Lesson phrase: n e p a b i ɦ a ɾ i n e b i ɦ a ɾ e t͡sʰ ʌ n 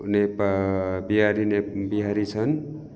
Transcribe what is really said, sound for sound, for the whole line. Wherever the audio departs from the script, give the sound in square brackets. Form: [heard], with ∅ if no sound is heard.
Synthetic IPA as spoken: n e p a b i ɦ a ɾ i n e b i ɦ a ɾ [i] t͡sʰ ʌ n